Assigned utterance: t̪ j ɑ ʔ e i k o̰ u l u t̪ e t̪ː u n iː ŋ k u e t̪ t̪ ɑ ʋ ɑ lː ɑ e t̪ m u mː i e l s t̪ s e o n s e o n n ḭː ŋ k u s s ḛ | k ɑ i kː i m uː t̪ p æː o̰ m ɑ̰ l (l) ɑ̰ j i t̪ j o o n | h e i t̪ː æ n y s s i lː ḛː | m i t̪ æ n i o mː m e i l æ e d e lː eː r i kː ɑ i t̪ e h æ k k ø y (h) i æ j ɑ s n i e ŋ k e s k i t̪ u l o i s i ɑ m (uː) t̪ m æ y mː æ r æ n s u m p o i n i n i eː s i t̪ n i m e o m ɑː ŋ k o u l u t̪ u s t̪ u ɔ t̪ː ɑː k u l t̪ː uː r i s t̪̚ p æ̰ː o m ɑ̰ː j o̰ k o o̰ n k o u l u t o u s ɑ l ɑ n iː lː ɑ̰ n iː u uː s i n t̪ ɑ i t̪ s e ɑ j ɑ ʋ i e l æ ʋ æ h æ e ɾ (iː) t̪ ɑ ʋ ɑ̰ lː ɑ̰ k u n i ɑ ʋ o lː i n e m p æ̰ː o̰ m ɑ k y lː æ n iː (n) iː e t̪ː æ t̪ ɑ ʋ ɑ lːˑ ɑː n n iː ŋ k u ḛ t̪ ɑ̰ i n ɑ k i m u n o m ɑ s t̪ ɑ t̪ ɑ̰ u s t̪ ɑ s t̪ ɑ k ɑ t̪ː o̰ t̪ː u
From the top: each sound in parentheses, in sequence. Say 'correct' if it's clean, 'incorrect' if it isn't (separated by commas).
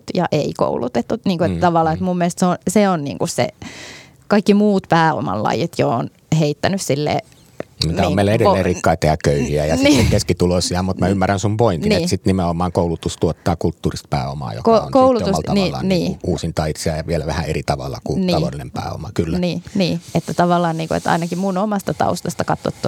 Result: correct, correct, incorrect, incorrect, correct